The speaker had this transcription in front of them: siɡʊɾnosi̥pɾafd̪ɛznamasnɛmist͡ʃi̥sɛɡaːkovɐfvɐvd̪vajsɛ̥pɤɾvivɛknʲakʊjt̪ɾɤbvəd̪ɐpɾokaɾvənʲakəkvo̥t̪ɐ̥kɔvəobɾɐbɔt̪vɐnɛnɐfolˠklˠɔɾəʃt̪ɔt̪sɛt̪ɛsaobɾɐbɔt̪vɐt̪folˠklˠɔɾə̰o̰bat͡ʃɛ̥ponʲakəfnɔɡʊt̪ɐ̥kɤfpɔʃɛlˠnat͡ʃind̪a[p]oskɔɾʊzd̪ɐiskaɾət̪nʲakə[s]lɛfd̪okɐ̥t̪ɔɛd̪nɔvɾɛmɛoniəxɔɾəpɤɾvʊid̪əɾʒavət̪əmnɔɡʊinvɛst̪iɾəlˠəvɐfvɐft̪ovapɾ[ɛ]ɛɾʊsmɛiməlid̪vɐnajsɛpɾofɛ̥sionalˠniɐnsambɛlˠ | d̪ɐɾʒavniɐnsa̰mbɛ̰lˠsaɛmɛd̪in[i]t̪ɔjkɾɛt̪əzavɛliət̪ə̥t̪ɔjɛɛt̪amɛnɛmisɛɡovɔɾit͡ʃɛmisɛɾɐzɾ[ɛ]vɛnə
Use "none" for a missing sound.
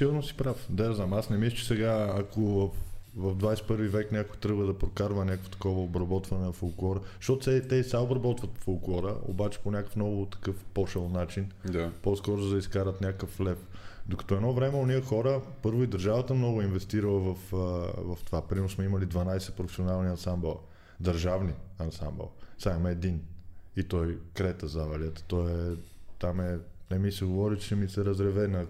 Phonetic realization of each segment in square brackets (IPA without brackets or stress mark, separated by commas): p, f, i, i, ɛ